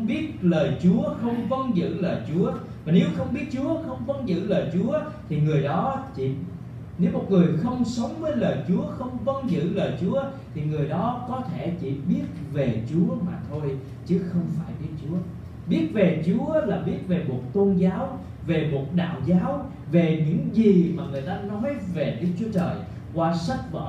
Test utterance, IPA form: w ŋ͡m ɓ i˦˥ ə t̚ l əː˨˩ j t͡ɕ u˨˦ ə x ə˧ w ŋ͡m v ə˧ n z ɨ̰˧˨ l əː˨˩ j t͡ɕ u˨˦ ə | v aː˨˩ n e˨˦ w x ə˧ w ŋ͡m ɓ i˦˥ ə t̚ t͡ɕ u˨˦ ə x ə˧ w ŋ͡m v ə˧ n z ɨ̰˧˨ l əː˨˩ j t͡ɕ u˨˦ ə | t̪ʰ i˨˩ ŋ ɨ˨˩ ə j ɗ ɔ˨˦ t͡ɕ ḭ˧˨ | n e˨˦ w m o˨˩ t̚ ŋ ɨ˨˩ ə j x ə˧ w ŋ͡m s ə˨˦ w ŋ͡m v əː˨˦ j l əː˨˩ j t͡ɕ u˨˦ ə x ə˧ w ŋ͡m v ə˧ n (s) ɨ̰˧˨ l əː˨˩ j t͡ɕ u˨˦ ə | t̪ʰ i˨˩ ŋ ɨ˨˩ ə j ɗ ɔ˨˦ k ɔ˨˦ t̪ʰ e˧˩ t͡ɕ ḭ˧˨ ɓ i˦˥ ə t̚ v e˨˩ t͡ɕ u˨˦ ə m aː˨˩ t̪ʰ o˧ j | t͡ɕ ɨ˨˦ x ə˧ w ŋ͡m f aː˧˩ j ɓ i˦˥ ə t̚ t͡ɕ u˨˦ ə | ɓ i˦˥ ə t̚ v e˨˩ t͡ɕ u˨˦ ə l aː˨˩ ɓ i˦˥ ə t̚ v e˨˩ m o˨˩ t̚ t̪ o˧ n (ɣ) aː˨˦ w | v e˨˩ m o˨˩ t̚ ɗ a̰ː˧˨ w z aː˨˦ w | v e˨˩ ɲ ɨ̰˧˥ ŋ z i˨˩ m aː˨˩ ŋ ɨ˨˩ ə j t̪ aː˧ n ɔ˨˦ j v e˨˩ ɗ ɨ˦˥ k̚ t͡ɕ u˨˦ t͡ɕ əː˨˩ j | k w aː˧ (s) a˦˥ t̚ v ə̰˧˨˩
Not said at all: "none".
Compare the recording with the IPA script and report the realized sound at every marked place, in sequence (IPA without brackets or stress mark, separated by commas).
z, z, s